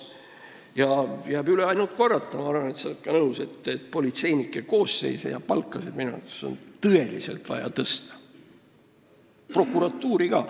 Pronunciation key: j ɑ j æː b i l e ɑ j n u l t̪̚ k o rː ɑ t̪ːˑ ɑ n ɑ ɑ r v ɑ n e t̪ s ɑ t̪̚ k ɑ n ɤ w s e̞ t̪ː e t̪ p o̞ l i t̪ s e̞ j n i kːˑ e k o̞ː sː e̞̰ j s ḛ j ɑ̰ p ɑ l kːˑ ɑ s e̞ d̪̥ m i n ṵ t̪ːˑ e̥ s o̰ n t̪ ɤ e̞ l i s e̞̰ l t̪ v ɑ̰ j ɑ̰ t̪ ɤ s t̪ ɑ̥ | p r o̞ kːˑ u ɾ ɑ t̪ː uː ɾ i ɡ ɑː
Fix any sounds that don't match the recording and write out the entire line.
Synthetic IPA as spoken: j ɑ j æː b y l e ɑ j n u l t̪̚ k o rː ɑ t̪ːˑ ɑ m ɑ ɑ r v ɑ n e t̪ s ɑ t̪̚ k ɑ n ɤ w s e̞ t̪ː e t̪ p o̞ l i t̪ s e̞ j n i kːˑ e k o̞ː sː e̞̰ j s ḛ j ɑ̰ p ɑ l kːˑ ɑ s e̞ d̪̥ m i n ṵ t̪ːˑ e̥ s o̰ n t̪ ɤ e̞ l i s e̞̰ l t̪ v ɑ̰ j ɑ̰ t̪ ɤ s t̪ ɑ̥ | p r o̞ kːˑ u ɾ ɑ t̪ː uː ɾ i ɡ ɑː